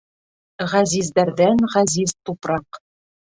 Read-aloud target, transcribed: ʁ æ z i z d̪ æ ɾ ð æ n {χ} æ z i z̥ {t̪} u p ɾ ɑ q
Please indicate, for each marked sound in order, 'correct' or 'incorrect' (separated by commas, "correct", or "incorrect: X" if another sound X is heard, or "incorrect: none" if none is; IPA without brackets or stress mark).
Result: incorrect: ʁ, correct